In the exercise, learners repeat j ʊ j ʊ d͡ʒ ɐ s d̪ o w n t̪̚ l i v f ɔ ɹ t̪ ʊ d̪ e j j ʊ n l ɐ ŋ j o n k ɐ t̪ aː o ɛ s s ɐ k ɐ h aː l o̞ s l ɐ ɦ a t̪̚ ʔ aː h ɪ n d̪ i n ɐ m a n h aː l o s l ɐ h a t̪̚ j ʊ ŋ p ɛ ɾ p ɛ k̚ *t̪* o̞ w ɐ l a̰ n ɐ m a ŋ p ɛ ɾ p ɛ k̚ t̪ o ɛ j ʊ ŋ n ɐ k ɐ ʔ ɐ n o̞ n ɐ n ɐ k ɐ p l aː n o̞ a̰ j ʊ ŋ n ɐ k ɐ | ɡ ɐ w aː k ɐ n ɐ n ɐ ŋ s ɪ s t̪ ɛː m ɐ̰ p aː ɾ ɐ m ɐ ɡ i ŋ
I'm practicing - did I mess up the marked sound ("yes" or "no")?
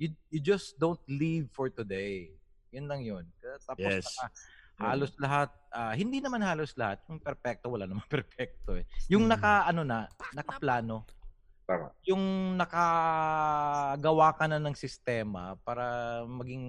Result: no